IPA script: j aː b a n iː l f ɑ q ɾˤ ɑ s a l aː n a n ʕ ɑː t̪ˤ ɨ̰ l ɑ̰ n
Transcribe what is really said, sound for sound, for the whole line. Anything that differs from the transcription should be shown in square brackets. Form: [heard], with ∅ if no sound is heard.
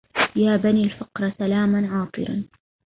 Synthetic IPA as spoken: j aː b a n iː l f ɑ q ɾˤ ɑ s a l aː [m] a n ʕ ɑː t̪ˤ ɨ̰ [ɾ] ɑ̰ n